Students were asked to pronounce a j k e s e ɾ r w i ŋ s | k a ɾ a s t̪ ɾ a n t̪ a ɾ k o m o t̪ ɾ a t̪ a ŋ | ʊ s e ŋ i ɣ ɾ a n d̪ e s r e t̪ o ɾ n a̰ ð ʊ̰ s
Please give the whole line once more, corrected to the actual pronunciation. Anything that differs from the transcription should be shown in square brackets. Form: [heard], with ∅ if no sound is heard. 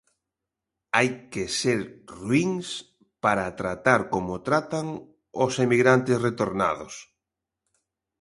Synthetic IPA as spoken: a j k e s e ɾ r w i ŋ s | [p] a ɾ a [∅] t̪ ɾ a [∅] t̪ a ɾ k o m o t̪ ɾ a t̪ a ŋ | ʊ s e [m] i ɣ ɾ a n [t̪] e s r e t̪ o ɾ n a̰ ð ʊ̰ s